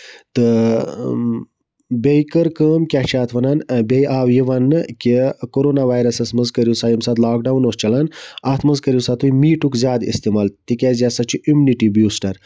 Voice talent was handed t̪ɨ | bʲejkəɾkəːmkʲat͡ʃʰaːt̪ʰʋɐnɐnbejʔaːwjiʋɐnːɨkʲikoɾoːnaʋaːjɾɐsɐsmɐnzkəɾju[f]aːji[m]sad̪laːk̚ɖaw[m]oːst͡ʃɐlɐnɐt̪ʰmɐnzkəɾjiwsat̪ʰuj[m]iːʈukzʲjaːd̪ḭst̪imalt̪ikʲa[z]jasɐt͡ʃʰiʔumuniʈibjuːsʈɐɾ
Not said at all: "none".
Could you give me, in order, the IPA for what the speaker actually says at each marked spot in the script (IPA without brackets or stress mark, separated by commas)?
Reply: s, m, n, m, z